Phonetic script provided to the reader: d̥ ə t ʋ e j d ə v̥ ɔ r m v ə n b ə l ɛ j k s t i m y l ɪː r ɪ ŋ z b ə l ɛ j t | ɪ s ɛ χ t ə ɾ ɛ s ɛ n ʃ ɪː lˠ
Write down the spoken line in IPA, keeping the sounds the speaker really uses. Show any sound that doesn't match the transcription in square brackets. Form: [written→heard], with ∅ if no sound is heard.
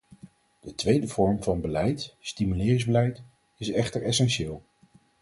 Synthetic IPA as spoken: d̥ ə t ʋ e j d ə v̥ ɔ [r→ɹ] m v [ə→ɑ] n b ə l ɛ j [k→t] s t i m y l ɪː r ɪ ŋ z b ə l ɛ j t | ɪ s ɛ χ t ə [ɾ→ɹ] ɛ s ɛ n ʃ ɪː lˠ

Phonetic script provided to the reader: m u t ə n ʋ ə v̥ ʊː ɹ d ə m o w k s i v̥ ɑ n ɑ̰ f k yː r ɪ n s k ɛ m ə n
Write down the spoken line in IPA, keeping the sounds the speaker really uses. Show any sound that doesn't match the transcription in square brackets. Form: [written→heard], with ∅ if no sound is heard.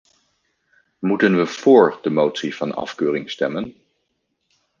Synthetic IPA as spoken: m u t ə n ʋ ə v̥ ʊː ɹ d ə m o w [k→t] s i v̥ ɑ n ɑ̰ f k [yː→øː] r ɪ [n→ŋ] s [k→t] ɛ m ə n

